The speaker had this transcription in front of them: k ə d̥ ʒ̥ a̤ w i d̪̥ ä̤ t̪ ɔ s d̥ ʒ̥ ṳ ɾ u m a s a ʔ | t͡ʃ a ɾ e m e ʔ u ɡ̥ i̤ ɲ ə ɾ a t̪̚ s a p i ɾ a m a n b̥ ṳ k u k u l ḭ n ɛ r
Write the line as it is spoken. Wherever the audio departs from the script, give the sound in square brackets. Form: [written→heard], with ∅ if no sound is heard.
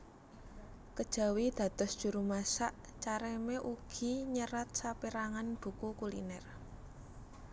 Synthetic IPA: k ə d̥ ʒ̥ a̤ w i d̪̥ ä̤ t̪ ɔ s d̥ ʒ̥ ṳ ɾ u m a s a ʔ | t͡ʃ a ɾ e m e ʔ u ɡ̥ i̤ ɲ ə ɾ a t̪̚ s a p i ɾ a [m→ŋ] a n b̥ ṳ k u k u l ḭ n ɛ r